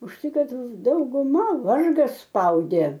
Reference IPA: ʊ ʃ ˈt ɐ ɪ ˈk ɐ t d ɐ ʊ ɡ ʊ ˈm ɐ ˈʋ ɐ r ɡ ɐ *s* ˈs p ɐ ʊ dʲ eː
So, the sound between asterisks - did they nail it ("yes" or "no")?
yes